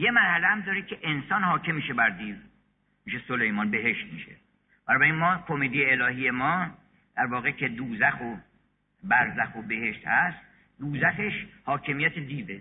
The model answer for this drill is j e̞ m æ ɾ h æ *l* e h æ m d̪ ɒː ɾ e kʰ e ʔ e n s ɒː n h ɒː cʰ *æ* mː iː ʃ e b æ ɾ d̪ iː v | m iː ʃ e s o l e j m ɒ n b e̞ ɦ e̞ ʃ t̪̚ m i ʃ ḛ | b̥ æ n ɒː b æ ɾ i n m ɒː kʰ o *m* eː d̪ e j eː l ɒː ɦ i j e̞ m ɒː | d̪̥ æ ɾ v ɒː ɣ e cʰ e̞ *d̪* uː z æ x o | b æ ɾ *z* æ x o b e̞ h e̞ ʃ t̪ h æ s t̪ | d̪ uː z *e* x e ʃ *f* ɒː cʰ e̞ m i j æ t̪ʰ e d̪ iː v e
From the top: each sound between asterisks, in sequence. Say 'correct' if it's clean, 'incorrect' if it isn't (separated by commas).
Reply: correct, incorrect, correct, correct, correct, incorrect, incorrect